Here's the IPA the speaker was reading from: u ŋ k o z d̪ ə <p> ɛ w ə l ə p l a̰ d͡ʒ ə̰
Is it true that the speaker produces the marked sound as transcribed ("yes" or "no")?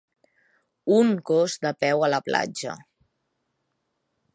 yes